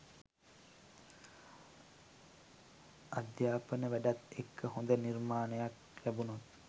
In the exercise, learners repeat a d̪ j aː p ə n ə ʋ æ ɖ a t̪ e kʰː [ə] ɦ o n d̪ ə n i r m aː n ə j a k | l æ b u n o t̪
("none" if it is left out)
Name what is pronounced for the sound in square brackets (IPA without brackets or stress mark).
ə